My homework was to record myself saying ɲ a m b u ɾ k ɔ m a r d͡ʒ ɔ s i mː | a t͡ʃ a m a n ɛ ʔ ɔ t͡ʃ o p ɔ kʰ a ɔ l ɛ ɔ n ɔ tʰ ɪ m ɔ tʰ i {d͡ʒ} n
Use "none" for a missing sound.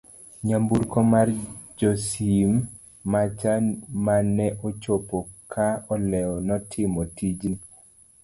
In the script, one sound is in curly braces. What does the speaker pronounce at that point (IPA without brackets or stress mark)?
d͡ʒ